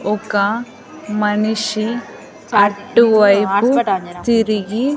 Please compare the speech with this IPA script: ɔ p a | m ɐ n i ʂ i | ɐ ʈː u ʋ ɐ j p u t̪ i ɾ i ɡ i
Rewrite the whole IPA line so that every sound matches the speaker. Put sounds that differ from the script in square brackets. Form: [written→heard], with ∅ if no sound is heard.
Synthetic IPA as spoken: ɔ [p→k] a | m ɐ n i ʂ i | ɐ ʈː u ʋ ɐ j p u t̪ i ɾ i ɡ i